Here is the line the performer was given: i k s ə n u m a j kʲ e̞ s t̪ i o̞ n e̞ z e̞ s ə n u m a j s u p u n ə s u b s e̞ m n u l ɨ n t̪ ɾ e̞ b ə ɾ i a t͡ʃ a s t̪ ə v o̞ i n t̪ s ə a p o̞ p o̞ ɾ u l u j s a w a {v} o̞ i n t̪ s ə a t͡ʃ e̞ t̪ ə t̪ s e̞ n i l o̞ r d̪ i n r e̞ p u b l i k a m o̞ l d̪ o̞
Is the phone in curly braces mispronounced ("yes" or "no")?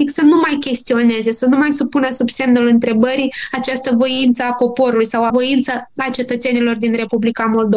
no